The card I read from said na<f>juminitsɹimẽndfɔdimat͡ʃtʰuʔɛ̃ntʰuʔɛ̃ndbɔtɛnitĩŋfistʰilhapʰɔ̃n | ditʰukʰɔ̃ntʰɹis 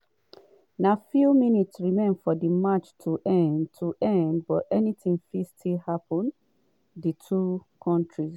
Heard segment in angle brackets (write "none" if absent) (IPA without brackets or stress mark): f